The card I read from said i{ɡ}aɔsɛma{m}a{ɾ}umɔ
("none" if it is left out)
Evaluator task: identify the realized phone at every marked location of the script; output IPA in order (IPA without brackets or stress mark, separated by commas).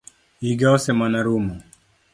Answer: ɡ, n, ɾ